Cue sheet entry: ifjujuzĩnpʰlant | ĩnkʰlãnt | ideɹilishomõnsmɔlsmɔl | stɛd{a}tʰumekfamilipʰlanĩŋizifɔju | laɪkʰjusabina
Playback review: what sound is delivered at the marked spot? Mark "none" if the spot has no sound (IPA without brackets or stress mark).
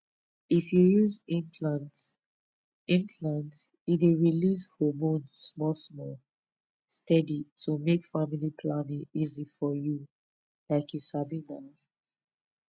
i